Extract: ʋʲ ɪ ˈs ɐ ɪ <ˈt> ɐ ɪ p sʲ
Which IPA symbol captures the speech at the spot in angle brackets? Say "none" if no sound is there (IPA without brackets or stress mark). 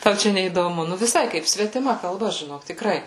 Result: k